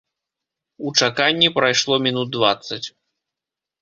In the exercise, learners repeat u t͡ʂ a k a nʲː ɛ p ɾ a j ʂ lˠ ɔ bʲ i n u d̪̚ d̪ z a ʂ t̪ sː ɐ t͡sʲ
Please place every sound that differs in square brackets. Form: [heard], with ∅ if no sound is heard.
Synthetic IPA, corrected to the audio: u t͡ʂ a k a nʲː [i] p ɾ a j ʂ lˠ ɔ [mʲ] i n u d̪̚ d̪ [v] a [∅] t̪ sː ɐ t͡sʲ